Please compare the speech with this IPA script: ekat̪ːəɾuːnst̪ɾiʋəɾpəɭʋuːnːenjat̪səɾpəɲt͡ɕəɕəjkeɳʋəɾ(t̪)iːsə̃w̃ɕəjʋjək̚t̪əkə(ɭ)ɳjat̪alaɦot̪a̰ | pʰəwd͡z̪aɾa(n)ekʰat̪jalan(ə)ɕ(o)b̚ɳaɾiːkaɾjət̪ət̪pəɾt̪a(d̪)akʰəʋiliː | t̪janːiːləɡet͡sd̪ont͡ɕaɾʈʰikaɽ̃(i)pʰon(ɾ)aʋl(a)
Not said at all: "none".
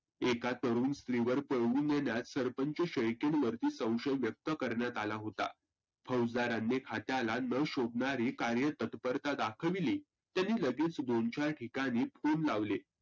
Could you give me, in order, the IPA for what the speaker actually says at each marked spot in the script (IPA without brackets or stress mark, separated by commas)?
t̪, ɾ, nː, ə, o, d̪, iː, l, e